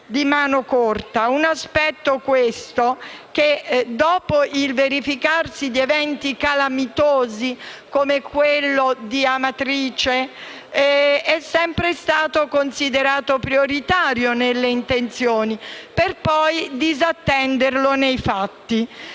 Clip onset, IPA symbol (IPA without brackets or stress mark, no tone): d̪